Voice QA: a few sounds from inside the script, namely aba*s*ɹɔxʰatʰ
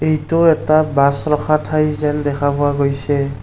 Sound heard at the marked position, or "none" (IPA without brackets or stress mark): s